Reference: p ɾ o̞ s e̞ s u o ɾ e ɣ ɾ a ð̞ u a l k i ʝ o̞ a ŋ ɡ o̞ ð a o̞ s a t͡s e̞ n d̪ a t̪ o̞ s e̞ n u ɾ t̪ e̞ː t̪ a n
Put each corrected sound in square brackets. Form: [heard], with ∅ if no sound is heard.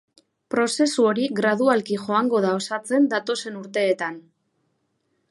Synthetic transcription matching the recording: p ɾ o̞ s e̞ s u o ɾ [i] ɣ ɾ a ð̞ u a l k i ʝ o̞ a ŋ ɡ o̞ ð a o̞ s a t͡s e̞ n d̪ a t̪ o̞ s e̞ n u ɾ t̪ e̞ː t̪ a n